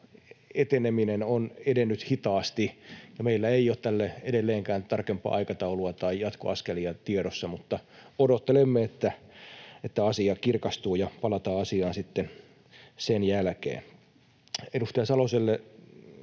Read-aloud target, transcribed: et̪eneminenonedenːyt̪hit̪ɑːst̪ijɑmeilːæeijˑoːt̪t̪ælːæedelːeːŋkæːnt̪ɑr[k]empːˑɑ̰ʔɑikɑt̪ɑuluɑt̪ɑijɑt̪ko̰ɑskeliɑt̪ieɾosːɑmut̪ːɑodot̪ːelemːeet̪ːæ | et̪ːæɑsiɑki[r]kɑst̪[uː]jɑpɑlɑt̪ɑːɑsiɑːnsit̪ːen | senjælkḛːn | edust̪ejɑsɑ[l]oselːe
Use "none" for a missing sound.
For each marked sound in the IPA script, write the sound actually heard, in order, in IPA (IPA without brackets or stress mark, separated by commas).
k, r, uː, l